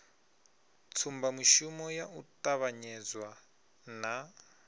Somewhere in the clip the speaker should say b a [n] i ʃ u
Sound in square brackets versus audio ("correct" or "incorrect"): incorrect